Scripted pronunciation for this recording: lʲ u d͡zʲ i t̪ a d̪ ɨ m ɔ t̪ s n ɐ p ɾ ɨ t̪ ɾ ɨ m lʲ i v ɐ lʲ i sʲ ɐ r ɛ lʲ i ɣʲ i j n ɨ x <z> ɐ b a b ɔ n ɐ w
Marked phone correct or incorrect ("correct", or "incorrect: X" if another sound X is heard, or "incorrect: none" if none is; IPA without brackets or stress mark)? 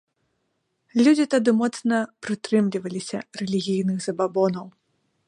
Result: correct